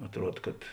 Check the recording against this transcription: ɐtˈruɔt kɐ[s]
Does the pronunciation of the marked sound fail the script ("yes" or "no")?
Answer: yes